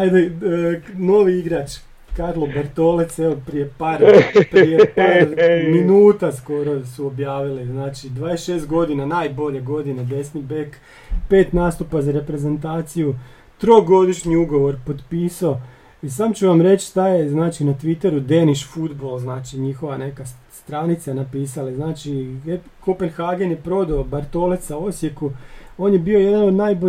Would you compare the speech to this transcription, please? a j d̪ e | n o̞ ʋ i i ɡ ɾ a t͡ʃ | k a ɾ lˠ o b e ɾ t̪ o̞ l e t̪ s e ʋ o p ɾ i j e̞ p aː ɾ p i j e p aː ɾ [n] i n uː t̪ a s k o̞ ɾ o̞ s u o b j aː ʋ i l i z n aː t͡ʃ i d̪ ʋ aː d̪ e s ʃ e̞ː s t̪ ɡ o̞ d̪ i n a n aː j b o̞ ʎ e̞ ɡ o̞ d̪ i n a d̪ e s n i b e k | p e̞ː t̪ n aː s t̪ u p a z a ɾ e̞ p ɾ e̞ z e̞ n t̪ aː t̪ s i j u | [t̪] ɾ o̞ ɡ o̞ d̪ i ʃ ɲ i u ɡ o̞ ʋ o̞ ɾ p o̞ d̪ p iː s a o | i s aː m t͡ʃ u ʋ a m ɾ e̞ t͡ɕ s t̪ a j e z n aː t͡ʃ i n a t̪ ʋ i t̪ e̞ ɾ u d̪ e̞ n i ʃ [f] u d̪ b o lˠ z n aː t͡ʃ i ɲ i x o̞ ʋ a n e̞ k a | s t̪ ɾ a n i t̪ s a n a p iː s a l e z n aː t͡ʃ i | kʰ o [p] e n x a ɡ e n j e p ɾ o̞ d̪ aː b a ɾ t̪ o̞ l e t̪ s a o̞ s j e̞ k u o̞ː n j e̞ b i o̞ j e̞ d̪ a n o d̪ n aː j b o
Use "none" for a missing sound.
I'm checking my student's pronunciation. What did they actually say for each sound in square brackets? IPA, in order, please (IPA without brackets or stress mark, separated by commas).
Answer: m, t̪, f, p